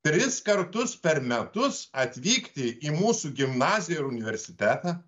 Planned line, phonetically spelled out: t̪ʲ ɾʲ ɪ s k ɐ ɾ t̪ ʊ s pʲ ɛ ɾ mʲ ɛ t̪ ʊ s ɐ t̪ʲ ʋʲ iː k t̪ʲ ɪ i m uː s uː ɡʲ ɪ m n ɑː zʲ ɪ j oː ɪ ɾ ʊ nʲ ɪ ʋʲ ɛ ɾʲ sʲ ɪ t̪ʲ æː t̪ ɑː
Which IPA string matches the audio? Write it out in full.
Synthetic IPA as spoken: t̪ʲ ɾʲ ɪ s k ɐ ɾ t̪ ʊ s pʲ ɛ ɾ mʲ ɛ t̪ ʊ s ɐ t̪ʲ ʋʲ iː k t̪ʲ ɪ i m uː s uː ɡʲ ɪ m n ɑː zʲ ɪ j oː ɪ ɾ ʊ nʲ ɪ ʋʲ ɛ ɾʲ sʲ ɪ t̪ʲ æː t̪ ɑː